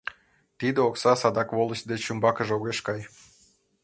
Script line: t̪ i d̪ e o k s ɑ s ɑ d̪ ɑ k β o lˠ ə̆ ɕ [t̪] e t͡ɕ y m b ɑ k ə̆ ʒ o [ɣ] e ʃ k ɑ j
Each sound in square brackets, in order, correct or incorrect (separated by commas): incorrect, correct